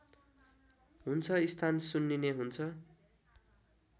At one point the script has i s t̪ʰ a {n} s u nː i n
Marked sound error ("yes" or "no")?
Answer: no